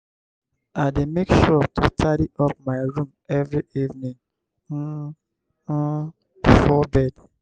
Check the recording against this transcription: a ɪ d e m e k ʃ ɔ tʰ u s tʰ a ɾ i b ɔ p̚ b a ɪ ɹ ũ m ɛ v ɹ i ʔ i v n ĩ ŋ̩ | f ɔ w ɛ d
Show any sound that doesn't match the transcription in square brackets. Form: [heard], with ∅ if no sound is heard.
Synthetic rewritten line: a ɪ d e m e k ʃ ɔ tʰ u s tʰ a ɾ i [∅] ɔ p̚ [m] a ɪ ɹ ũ m ɛ v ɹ i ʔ i v n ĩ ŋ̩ | f ɔ [b] ɛ d